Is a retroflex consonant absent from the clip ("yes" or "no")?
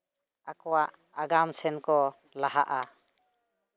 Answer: yes